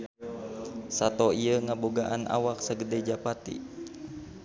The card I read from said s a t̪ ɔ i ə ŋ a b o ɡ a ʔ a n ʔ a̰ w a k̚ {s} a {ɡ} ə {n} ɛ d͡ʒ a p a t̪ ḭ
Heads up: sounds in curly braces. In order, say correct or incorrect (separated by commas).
correct, correct, incorrect